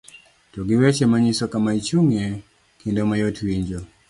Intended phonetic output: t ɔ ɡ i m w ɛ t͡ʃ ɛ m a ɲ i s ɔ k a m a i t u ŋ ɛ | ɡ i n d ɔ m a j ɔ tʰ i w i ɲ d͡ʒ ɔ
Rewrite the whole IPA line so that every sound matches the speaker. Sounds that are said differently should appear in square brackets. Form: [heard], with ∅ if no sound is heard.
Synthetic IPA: t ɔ ɡ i [∅] w ɛ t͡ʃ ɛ m a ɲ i s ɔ k a m a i [t͡ʃ] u ŋ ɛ | [k] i n d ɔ m a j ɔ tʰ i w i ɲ d͡ʒ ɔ